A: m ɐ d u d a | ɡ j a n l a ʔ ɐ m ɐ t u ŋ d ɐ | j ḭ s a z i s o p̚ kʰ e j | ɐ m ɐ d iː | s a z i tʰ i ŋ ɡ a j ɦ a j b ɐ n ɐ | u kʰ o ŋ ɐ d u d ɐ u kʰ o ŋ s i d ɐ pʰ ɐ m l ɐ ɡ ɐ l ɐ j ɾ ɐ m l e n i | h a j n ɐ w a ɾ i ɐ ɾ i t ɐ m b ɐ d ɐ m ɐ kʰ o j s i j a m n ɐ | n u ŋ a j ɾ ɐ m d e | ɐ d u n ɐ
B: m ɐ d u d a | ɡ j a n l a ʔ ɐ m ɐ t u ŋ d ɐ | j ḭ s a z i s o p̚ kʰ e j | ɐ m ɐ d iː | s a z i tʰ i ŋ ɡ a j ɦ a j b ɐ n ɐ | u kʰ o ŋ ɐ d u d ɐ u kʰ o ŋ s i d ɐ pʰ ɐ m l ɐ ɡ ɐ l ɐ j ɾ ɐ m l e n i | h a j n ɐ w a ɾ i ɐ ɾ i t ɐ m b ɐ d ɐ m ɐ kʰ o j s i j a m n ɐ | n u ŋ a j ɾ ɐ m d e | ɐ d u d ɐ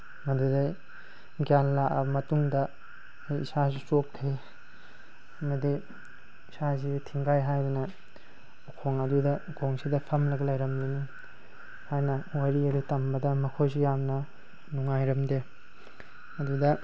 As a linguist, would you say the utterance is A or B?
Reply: B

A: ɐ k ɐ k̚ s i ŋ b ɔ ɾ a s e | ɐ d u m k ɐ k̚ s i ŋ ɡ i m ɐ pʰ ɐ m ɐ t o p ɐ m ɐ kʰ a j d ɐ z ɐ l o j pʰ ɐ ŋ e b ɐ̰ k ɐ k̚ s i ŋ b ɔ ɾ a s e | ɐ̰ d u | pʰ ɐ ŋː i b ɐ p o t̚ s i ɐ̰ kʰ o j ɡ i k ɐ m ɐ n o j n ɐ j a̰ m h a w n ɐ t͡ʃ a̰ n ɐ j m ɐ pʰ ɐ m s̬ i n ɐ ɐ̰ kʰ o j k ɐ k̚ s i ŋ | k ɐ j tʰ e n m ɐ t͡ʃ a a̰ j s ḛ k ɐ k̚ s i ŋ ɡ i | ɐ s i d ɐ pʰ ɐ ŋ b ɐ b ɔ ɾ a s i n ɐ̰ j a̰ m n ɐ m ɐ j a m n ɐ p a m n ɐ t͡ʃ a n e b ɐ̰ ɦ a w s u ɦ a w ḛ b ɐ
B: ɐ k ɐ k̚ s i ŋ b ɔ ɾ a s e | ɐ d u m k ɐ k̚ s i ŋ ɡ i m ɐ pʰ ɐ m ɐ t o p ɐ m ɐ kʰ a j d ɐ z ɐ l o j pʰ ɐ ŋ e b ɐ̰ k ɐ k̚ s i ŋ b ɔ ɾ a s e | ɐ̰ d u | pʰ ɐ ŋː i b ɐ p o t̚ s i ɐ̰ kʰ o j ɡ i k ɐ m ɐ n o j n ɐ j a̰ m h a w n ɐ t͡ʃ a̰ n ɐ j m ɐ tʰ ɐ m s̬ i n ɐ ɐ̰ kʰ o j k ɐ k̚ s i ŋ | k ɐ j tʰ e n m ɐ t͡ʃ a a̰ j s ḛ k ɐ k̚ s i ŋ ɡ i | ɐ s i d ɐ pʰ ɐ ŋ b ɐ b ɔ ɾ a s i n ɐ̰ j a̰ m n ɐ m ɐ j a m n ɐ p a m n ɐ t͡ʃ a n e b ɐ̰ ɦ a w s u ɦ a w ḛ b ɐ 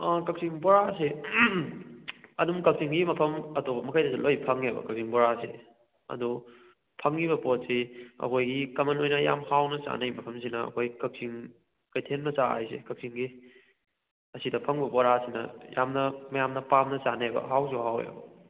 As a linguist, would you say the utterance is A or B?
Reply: A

